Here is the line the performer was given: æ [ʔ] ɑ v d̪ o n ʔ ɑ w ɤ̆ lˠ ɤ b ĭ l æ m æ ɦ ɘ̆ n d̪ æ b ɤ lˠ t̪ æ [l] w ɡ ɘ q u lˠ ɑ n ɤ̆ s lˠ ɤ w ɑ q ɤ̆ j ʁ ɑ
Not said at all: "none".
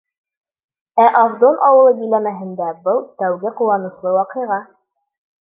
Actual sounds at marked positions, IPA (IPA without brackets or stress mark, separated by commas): ʔ, none